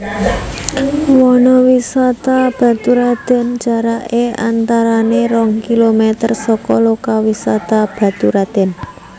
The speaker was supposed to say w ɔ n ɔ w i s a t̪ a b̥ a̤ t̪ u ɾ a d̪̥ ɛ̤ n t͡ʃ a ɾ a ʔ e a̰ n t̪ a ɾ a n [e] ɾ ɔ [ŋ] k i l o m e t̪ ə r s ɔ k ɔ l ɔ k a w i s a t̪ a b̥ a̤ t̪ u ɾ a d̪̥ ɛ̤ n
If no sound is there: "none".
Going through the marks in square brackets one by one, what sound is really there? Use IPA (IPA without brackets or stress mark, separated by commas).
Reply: e, ŋ